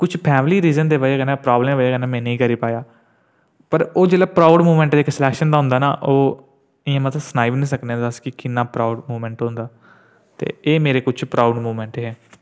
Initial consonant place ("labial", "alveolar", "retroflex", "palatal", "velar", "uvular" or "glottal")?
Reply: velar